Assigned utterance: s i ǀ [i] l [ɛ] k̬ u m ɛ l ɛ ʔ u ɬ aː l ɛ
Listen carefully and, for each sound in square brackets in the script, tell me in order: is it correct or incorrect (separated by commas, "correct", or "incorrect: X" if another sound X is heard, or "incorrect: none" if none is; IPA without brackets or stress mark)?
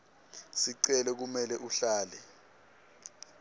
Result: incorrect: ɛ, correct